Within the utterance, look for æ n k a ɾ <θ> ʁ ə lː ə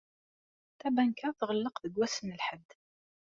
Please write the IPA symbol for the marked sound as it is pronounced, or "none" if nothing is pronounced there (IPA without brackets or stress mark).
θ